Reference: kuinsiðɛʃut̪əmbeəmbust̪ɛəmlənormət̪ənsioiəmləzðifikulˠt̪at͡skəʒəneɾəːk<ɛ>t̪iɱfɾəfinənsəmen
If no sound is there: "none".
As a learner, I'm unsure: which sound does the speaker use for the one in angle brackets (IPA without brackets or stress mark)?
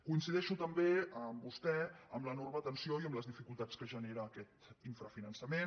ɛ